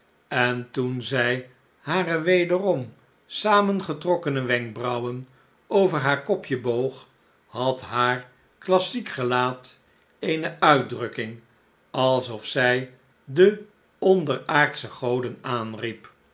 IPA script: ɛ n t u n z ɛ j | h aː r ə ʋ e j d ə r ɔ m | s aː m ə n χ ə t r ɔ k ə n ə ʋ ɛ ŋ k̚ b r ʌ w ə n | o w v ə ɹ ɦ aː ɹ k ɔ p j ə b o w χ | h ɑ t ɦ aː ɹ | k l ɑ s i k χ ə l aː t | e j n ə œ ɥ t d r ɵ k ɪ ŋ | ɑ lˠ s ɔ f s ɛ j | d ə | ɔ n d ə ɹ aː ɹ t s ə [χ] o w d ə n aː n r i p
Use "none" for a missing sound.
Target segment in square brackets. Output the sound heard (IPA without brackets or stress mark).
χ